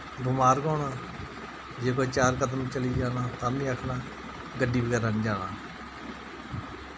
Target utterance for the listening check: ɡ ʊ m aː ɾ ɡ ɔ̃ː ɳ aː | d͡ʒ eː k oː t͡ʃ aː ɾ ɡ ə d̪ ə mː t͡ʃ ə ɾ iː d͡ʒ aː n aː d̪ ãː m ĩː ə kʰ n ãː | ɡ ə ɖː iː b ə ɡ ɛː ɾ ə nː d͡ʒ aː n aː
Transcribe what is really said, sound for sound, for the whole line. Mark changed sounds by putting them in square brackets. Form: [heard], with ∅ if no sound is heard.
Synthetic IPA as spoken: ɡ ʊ m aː ɾ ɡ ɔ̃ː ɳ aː | d͡ʒ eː k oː t͡ʃ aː ɾ [k] ə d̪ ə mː t͡ʃ ə [l] iː d͡ʒ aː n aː [t̪] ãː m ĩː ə kʰ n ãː | ɡ ə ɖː iː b ə ɡ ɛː ɾ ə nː d͡ʒ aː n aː

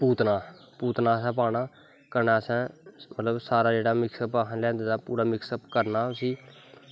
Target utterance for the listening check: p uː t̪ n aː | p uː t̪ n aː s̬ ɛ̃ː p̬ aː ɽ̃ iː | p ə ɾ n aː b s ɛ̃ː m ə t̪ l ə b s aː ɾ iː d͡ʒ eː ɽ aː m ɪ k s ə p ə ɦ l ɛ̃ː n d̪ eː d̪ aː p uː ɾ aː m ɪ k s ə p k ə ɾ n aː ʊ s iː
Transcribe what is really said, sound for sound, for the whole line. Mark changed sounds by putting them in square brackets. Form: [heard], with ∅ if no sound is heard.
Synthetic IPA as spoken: p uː t̪ n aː | p uː t̪ n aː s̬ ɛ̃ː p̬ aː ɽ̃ [aː] | [k] ə ɾ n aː [∅] s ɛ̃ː m ə t̪ l ə b s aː ɾ [aː] d͡ʒ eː ɽ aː m ɪ k s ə p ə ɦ l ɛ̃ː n d̪ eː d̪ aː p uː ɾ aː m ɪ k s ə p k ə ɾ n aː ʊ s iː

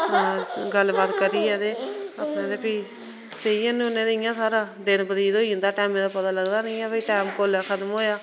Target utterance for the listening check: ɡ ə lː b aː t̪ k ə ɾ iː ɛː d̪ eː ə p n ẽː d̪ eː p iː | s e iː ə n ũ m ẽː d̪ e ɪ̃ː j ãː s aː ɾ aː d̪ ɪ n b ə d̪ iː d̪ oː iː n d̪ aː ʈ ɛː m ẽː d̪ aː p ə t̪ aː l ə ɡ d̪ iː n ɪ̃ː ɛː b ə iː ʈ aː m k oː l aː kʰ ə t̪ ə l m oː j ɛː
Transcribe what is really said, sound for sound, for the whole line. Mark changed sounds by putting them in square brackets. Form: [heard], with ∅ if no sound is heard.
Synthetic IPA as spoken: ɡ ə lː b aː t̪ k ə ɾ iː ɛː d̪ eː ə p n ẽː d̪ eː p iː | s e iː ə n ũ [n] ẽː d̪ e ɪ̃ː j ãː s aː ɾ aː d̪ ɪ n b ə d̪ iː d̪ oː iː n d̪ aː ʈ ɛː m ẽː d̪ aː p ə t̪ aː l ə ɡ d̪ [aː] n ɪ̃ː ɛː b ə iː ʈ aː m k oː l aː kʰ ə t̪ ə [∅] m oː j [aː]

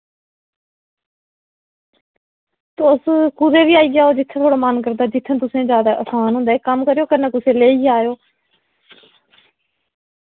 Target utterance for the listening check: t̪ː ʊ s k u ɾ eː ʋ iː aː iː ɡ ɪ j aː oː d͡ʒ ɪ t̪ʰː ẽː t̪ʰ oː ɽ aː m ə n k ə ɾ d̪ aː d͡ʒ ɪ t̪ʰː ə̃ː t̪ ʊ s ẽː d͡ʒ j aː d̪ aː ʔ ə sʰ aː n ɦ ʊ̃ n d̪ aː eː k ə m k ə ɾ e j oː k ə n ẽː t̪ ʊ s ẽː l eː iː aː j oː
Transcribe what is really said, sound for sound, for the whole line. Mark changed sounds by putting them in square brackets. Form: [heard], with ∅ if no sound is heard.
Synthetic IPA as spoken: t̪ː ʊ s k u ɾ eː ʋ iː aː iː ɡ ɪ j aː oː d͡ʒ ɪ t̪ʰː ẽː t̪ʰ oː ɽ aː m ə n k ə ɾ d̪ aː d͡ʒ ɪ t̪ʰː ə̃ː t̪ ʊ s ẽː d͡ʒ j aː d̪ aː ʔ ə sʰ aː n ɦ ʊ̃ n d̪ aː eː k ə m k ə ɾ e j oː k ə n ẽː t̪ ʊ s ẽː l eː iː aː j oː

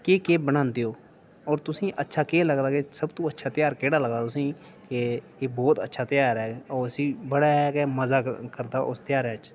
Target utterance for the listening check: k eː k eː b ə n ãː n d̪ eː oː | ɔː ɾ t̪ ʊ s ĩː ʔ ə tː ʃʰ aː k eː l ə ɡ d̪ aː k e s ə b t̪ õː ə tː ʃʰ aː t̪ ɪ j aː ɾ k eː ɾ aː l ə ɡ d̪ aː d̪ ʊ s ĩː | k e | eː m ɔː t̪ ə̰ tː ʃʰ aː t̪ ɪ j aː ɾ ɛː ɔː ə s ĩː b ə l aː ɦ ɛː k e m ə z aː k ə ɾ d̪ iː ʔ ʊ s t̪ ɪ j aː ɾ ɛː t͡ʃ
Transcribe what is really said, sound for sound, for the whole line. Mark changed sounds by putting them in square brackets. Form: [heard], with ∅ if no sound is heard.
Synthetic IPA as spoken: k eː k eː b ə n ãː n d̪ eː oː | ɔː ɾ t̪ ʊ s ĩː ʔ ə tː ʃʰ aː k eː l ə ɡ d̪ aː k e s ə b t̪ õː ə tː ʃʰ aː t̪ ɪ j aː ɾ k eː [ɽ] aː l ə ɡ d̪ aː [t̪] ʊ s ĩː | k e | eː [b] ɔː t̪ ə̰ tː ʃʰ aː t̪ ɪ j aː ɾ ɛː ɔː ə s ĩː b ə [ɽ] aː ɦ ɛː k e m ə z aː k ə ɾ d̪ [aː] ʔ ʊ s t̪ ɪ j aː ɾ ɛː t͡ʃ

